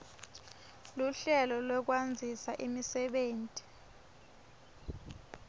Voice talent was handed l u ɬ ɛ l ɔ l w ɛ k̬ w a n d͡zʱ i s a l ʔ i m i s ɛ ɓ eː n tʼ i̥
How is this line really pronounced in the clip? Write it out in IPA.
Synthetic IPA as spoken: l u ɬ ɛ l ɔ l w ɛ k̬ w a n d͡zʱ i s a ʔ i m i s ɛ ɓ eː n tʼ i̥